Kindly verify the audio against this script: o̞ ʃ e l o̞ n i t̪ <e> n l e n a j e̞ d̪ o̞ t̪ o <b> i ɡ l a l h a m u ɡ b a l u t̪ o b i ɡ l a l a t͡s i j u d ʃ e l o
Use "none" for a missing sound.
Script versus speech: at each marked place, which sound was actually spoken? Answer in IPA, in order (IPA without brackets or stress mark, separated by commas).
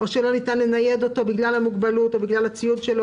a, b